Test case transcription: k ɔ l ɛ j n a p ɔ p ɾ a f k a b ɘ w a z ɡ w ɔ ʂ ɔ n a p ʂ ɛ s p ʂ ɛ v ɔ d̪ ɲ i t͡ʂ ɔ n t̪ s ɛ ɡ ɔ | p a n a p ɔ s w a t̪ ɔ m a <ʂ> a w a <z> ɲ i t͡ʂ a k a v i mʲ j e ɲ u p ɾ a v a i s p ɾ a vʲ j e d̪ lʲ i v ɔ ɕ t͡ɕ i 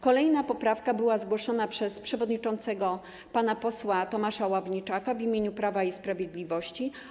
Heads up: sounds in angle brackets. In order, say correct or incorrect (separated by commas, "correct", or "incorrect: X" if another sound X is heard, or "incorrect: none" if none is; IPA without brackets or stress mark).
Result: correct, incorrect: v